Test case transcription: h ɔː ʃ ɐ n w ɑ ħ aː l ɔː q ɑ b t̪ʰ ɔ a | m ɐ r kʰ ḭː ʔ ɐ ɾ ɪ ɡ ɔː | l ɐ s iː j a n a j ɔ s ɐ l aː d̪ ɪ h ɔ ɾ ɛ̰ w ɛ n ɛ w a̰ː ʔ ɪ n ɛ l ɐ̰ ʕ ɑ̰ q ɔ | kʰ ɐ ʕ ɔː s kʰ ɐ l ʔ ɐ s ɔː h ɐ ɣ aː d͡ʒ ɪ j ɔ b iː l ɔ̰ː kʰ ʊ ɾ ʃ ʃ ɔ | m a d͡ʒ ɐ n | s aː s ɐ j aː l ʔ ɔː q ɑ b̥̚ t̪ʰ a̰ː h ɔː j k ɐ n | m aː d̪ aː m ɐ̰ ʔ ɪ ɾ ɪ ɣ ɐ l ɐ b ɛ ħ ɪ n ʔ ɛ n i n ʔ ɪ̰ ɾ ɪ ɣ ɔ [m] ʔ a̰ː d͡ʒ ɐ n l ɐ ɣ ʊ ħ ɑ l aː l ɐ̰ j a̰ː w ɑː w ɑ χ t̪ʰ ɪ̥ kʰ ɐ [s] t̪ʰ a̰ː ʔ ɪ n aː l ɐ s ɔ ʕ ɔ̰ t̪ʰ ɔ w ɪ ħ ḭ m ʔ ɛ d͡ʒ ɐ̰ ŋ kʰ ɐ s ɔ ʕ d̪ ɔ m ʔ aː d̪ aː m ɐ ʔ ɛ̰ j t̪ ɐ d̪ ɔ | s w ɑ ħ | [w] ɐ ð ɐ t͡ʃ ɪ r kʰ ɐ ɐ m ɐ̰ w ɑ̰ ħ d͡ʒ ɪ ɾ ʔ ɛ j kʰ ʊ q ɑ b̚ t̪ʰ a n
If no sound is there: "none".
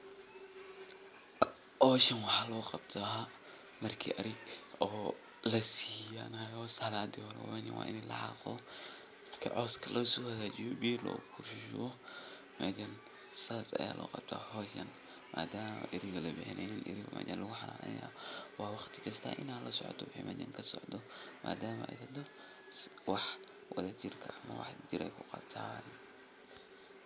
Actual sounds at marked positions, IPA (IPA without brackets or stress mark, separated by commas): m, s, w